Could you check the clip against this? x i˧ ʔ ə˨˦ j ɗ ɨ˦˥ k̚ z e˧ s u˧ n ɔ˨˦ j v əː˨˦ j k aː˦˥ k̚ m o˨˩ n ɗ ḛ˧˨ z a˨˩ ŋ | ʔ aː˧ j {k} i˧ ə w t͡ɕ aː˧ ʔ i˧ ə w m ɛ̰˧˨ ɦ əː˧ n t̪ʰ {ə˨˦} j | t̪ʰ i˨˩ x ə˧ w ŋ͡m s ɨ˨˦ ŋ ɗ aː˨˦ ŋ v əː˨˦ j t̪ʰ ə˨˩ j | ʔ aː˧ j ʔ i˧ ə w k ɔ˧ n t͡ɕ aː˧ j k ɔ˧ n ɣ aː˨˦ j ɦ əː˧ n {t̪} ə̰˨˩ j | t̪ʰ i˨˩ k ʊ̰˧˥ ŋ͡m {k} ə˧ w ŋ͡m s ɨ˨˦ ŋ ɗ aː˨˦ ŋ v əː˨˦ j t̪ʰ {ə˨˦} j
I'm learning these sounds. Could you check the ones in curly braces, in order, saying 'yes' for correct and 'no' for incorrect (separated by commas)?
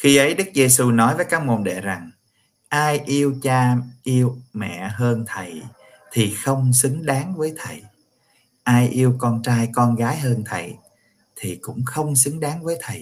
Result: no, no, no, no, no